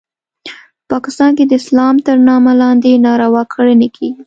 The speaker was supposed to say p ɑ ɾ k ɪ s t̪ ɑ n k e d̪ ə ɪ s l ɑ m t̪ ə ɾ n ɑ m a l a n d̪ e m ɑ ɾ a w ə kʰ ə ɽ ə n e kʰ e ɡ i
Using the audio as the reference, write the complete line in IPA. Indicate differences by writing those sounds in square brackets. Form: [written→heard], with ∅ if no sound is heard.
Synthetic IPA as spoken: p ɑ [ɾ→∅] k ɪ s t̪ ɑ n k e d̪ ə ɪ s l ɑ m t̪ ə ɾ n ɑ m a l [a→ɑ] n d̪ e [m→n] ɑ ɾ a w [ə→ɑ] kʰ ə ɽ ə n e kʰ e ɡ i